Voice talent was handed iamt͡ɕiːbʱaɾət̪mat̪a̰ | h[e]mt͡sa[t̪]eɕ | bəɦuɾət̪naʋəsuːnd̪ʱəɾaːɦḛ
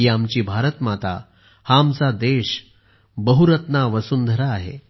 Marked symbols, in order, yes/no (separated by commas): no, no